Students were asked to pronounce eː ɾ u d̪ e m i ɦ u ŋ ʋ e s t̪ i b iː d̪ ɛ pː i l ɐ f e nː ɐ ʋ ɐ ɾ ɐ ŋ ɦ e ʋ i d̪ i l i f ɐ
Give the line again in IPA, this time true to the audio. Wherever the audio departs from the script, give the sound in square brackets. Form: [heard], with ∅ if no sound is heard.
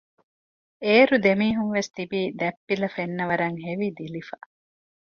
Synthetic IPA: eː ɾ u d̪ e m [iː] ɦ u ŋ ʋ e s t̪ i b iː d̪ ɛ pː i l ɐ f e nː ɐ ʋ ɐ ɾ ɐ ŋ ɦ e ʋ i d̪ i l i f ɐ